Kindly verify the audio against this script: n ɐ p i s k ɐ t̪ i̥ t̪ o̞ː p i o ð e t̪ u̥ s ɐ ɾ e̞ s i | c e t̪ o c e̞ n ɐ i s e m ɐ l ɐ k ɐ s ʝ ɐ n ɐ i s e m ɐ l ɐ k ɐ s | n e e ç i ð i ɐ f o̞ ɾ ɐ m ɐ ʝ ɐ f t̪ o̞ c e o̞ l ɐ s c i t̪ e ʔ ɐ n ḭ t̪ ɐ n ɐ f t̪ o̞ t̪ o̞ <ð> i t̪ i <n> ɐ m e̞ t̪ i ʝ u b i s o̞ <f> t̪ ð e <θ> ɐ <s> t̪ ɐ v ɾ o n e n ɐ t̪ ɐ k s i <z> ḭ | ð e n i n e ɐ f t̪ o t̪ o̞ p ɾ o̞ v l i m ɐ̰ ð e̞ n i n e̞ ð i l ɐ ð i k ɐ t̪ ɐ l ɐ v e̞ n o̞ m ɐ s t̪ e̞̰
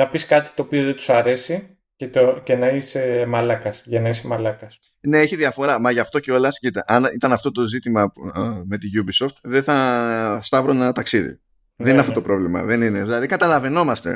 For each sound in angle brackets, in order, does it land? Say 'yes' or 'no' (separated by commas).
no, no, yes, yes, yes, no